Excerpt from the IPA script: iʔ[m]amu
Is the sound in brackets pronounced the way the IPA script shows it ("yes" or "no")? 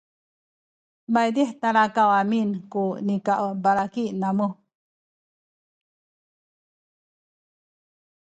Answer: no